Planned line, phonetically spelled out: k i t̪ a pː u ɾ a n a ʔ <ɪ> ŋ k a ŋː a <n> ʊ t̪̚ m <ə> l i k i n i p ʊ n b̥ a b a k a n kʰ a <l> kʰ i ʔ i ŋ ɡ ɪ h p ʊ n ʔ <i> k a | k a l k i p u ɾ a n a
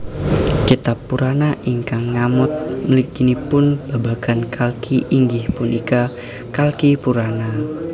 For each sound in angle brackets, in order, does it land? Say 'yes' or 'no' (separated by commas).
no, no, yes, yes, yes